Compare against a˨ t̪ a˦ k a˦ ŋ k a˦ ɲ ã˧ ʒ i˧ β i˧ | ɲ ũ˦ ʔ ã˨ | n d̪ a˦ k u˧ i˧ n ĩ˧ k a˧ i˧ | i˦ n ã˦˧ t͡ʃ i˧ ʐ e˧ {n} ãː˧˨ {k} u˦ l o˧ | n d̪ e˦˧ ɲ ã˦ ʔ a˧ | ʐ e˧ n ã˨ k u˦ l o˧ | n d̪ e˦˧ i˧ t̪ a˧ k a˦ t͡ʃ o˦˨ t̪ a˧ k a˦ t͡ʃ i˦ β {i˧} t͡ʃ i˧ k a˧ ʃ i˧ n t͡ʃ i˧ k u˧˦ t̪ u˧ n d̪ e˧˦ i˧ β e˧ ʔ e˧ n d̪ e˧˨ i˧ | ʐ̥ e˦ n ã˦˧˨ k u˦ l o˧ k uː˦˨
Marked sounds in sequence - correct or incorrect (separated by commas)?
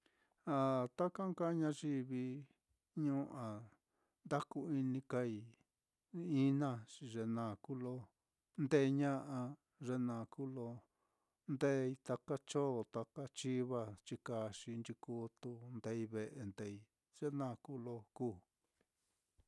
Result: correct, correct, incorrect